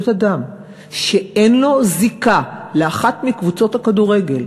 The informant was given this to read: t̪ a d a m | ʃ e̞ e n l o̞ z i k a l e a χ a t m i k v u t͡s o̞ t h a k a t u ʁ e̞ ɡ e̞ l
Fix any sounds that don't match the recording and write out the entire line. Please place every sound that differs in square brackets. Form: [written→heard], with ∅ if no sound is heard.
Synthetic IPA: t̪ a d a m | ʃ e̞ e n l o̞ z i k a l e a χ a t m i k v u t͡s o̞ t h a k a [t→d] u ʁ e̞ ɡ e̞ l